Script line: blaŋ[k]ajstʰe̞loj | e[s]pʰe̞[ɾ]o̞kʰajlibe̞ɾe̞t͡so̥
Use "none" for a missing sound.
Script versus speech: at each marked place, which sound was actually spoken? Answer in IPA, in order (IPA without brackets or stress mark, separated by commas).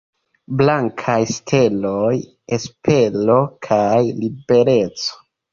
kʰ, s, l